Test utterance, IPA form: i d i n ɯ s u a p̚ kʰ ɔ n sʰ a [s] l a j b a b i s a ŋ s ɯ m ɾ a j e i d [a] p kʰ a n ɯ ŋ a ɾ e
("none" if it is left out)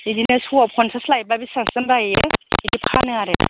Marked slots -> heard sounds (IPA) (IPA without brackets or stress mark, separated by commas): s, i